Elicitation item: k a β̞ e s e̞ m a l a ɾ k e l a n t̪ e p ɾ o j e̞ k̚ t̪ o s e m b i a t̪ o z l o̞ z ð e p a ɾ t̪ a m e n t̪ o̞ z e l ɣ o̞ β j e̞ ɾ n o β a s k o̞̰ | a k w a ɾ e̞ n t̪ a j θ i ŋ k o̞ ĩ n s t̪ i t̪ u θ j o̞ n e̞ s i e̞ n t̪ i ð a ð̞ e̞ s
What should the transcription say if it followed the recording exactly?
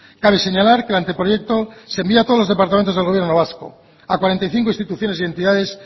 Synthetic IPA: k a β̞ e s e̞ ɲ a l a ɾ k e l a n t̪ e p ɾ o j e̞ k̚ t̪ o s e m b i a t̪ o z l o̞ z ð e p a ɾ t̪ a m e n t̪ o̞ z e l ɣ o̞ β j e̞ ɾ n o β a s k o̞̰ | a k w a ɾ e̞ n t̪ a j θ i ŋ k o̞ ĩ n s t̪ i t̪ u θ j o̞ n e̞ s i e̞ n t̪ i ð a ð̞ e̞ s